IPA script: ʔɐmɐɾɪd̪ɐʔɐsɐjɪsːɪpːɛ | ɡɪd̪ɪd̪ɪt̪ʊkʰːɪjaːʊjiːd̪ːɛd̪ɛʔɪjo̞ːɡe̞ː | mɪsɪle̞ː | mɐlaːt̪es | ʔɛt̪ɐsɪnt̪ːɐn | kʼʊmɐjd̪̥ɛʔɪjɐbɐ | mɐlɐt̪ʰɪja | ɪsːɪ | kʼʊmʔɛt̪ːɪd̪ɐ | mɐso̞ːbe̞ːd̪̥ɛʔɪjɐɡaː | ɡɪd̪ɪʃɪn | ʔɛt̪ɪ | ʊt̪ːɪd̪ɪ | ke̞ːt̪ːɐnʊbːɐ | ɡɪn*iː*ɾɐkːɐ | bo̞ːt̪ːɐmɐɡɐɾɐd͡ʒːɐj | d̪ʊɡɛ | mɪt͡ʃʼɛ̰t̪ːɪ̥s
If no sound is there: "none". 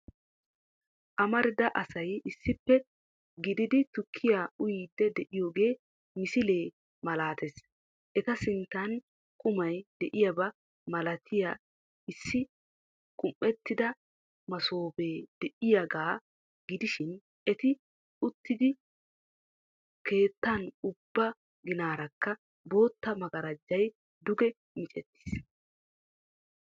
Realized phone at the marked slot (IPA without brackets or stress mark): aː